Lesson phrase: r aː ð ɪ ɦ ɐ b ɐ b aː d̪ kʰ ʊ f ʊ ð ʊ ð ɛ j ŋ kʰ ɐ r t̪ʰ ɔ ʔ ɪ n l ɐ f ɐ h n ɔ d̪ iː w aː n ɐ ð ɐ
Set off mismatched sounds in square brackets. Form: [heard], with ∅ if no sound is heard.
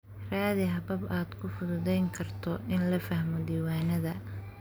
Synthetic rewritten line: r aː ð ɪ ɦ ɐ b ɐ b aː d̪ kʰ ʊ f ʊ ð ʊ ð ɛ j ŋ kʰ ɐ r t̪ʰ ɔ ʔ ɪ n l ɐ f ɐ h [m] ɔ d̪ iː w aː n ɐ ð ɐ